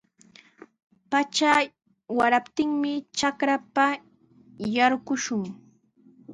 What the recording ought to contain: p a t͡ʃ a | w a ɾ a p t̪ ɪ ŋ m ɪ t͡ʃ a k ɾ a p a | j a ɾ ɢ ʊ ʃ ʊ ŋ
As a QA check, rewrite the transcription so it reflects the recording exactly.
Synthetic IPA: p a t͡ʃ a | w a ɾ a p t̪ ɪ ŋ m ɪ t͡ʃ a k ɾ a p a | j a ɾ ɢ ʊ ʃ ʊ ŋ